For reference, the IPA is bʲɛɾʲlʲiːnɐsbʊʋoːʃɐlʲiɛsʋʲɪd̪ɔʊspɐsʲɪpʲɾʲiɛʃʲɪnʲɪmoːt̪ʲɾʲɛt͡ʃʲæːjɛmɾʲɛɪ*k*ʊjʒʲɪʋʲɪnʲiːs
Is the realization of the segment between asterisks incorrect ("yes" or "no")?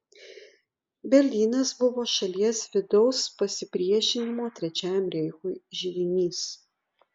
yes